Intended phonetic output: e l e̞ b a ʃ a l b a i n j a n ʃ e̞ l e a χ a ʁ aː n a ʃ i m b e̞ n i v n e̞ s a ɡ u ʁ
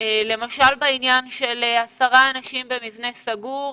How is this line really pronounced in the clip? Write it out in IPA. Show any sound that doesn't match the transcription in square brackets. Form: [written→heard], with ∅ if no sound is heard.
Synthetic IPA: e l e̞ [b→m] a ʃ a l b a i n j a n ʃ e̞ l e a [χ→s] a ʁ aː n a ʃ i m b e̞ [n→m] i v n e̞ s a ɡ u ʁ